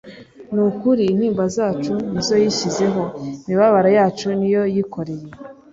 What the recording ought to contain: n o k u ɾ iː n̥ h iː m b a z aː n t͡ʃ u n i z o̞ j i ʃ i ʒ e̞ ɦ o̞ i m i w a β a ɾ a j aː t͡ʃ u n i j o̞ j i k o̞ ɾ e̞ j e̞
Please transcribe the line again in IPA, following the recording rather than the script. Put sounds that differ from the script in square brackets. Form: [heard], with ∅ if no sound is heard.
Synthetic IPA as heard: n [u] k u ɾ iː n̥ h iː m b a z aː [∅] t͡ʃ u n i z o̞ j i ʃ i [z] e̞ ɦ o̞ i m i [β] a β a ɾ a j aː t͡ʃ u n i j o̞ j i k o̞ ɾ e̞ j e̞